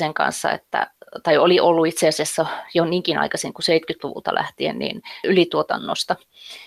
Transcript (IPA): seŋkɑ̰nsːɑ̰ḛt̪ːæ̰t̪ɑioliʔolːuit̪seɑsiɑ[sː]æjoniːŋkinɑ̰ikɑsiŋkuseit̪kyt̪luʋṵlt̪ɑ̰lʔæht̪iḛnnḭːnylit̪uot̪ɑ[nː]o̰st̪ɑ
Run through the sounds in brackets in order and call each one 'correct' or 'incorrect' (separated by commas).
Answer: correct, correct